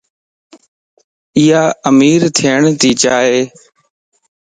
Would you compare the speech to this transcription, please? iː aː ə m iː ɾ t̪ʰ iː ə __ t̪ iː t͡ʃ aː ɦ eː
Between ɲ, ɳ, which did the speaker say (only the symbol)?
ɳ